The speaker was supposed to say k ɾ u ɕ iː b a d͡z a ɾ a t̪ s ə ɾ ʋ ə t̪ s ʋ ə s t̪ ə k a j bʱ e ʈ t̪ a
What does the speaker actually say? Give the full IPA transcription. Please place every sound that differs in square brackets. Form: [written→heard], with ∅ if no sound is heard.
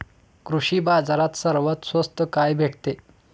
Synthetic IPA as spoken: k ɾ u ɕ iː b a d͡z a ɾ a t̪ s ə ɾ ʋ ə t̪ s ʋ ə s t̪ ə k a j bʱ e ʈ t̪ [a→e]